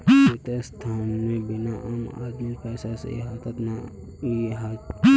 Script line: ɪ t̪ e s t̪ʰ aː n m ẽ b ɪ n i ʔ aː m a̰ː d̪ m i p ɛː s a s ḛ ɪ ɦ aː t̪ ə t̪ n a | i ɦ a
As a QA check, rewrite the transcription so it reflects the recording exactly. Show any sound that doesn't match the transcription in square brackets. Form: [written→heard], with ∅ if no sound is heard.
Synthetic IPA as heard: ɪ t̪ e s t̪ʰ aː n m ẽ b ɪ n [i→a] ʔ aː m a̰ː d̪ m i p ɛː s a s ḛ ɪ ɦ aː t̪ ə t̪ n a | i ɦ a